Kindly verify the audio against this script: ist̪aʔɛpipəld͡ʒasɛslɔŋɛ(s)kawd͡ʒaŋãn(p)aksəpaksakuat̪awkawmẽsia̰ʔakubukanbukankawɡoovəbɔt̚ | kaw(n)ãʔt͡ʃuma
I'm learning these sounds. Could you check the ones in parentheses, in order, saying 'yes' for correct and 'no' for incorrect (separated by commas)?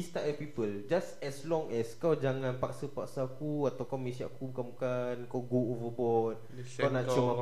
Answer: yes, yes, yes